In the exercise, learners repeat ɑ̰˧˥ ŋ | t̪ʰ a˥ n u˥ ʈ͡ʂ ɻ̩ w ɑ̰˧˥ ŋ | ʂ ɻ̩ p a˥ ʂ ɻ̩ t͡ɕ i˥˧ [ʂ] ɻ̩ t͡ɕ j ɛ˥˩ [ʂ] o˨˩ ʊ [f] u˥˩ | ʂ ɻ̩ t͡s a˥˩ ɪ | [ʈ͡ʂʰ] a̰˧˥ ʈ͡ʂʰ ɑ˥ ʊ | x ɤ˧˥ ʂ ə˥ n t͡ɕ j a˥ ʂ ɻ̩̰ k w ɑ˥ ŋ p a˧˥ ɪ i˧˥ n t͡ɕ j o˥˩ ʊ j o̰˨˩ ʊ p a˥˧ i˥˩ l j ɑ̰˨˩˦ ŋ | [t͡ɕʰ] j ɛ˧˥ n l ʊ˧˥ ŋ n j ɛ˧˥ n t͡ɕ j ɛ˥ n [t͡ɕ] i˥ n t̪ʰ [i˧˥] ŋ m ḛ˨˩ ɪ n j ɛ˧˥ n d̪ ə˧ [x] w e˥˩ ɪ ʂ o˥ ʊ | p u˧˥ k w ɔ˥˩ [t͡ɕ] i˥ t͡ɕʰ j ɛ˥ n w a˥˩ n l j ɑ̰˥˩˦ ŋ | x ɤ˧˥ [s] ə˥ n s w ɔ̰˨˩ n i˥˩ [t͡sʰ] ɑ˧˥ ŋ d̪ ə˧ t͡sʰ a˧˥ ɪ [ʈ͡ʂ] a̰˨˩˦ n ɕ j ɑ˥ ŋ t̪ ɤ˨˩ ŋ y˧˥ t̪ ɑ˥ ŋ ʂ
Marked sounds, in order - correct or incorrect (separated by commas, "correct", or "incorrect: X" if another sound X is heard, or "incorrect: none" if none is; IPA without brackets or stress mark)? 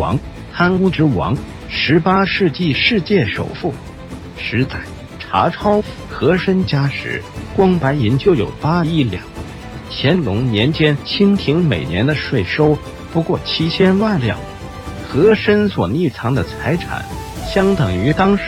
correct, correct, correct, correct, correct, incorrect: t͡ɕʰ, correct, incorrect: ʂ, incorrect: t͡ɕʰ, incorrect: ʂ, correct, incorrect: ʈ͡ʂʰ